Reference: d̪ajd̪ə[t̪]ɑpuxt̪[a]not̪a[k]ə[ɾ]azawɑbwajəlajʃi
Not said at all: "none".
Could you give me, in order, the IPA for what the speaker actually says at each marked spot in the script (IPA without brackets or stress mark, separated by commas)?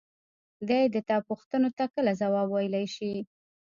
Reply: t̪, ə, k, l